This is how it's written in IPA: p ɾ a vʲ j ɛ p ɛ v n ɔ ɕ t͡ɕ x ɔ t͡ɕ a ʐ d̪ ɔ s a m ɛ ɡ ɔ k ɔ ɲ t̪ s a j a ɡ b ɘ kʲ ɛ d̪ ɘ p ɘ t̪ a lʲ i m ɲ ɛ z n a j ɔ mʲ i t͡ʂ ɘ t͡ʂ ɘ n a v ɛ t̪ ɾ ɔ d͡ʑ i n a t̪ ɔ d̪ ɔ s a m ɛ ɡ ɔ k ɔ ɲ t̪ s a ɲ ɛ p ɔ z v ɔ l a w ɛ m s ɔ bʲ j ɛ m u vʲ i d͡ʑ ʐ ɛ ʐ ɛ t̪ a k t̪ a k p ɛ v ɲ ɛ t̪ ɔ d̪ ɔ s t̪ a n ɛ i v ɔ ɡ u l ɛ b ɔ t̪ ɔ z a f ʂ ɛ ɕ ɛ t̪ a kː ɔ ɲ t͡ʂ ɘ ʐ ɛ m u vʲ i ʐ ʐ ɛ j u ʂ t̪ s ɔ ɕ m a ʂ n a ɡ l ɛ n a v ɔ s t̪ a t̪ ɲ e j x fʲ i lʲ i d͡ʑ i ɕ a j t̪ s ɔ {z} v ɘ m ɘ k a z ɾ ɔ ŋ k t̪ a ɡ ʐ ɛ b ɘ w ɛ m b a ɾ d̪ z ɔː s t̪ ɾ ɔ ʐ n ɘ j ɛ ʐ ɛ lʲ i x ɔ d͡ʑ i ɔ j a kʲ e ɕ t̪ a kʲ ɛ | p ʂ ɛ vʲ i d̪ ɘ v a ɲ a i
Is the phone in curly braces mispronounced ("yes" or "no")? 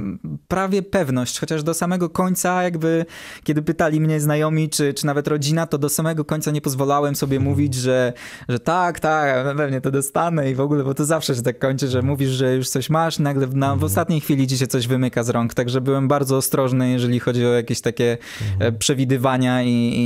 yes